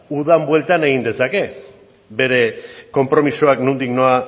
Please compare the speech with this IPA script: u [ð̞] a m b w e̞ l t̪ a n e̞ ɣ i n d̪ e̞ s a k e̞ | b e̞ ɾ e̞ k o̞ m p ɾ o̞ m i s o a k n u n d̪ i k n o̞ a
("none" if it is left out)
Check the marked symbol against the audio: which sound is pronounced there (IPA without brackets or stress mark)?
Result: ð̞